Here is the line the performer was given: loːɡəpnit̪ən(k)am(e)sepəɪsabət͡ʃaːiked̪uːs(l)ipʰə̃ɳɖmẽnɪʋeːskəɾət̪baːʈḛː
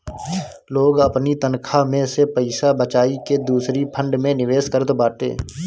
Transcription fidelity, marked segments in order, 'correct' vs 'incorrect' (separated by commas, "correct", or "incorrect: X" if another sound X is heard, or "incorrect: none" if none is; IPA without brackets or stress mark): incorrect: kʰ, incorrect: ẽ, incorrect: ɾ